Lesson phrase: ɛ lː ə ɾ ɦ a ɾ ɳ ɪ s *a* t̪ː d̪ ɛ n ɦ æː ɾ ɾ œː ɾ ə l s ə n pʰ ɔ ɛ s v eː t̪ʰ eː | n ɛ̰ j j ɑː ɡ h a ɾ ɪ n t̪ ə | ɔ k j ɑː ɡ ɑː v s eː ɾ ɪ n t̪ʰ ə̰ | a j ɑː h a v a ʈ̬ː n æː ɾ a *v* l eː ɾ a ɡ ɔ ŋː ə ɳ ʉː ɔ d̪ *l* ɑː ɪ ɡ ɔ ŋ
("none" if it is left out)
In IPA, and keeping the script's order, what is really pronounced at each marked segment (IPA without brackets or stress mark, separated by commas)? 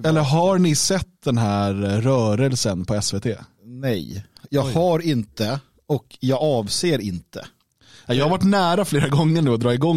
ɛ, f, ɾ